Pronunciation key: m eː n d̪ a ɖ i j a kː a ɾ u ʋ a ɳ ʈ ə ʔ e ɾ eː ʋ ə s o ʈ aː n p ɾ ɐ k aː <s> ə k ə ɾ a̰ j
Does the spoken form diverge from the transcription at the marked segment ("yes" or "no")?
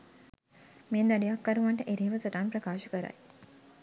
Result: yes